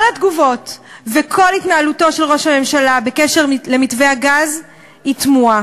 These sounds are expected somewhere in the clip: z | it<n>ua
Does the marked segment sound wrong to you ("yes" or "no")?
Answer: yes